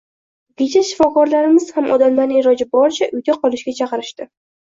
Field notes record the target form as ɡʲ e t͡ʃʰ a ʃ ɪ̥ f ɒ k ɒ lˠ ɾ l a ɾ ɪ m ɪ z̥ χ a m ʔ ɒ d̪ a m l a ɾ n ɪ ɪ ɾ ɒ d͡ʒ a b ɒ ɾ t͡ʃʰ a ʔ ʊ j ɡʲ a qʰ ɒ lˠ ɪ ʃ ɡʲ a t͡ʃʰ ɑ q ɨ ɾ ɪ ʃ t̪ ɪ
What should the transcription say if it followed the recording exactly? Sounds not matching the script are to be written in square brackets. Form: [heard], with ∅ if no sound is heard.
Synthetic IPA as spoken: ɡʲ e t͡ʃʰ a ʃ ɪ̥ f ɒ k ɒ [∅] ɾ l a ɾ ɪ m ɪ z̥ [h] a m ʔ ɒ d̪ a m l a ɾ n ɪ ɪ ɾ ɒ d͡ʒ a b ɒ ɾ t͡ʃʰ a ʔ ʊ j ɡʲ a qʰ ɒ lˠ ɪ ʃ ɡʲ a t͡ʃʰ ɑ q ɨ ɾ ɪ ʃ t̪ ɪ